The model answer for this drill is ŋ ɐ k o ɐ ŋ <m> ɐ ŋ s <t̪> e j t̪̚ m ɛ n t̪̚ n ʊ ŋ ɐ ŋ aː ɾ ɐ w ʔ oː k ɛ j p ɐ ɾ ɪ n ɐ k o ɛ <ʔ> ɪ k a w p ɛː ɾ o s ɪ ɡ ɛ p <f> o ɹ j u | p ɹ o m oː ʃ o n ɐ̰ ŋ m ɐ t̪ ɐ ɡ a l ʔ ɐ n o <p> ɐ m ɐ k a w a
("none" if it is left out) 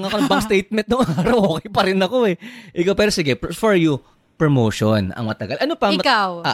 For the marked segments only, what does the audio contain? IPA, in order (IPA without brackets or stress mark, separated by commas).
b, t̪, ʔ, f, p